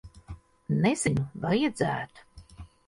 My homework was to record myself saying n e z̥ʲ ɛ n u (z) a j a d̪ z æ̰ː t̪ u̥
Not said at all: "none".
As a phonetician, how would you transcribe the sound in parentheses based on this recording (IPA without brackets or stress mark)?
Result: v